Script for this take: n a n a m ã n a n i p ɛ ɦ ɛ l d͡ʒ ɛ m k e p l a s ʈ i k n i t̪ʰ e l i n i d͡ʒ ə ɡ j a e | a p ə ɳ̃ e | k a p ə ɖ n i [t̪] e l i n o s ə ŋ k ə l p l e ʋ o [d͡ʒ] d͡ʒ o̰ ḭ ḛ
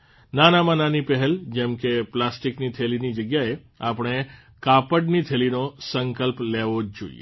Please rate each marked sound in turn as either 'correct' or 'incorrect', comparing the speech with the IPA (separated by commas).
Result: incorrect, correct